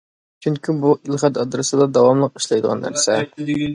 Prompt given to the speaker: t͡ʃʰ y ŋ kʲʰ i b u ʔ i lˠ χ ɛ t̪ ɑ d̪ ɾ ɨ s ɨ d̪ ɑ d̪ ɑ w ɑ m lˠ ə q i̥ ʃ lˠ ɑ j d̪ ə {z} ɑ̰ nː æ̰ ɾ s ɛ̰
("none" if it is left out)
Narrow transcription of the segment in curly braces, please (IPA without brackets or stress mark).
ʁ